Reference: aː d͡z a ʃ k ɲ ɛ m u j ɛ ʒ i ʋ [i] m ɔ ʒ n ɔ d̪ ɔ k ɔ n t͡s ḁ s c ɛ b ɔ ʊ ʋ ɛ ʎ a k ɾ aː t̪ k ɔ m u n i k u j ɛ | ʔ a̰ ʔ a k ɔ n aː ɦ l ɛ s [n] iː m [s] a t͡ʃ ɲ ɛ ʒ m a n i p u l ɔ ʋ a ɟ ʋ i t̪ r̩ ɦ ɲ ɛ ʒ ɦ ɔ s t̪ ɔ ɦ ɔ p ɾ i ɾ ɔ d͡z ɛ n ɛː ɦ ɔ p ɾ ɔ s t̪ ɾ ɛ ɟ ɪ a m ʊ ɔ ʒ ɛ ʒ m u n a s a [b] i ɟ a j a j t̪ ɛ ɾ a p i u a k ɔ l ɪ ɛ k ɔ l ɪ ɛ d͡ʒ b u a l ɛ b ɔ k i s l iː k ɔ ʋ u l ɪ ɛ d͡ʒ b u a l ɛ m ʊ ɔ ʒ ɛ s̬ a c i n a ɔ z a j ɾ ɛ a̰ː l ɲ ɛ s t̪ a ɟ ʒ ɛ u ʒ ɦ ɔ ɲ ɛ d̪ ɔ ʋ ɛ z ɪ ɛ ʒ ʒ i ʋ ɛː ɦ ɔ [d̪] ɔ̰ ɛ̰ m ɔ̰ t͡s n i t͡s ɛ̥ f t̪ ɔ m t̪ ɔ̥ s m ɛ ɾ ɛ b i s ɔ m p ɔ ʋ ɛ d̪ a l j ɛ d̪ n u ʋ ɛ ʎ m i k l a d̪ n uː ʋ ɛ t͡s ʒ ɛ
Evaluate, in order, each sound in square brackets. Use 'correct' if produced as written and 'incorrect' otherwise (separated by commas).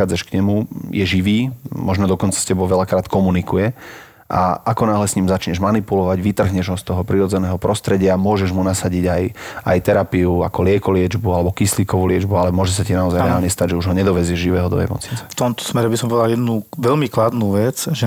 incorrect, incorrect, incorrect, incorrect, correct